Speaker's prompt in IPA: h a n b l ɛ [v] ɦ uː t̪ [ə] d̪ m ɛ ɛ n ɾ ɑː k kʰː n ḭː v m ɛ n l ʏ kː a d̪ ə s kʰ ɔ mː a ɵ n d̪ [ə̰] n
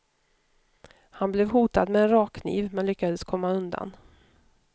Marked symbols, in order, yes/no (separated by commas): yes, no, no